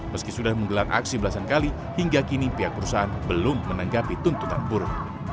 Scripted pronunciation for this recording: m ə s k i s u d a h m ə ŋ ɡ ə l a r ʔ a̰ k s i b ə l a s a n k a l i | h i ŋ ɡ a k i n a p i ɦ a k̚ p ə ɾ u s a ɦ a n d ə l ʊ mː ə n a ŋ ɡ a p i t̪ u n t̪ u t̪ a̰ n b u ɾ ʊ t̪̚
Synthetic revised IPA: m ə s k i s u d a h m ə ŋ ɡ ə l a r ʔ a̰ k s i b ə l a s a n k a l i | h i ŋ ɡ a k i n i p i ɦ a k̚ p ə ɾ u s a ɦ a n b ə l ʊ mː ə n a ŋ ɡ a p i t̪ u n t̪ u t̪ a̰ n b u ɾ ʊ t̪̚